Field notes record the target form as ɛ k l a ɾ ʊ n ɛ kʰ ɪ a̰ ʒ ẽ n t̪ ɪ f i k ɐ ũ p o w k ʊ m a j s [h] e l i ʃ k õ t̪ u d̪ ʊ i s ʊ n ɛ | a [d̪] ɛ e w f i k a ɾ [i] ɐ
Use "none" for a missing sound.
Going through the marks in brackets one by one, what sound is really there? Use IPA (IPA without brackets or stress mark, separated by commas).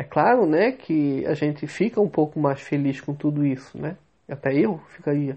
f, t̪, i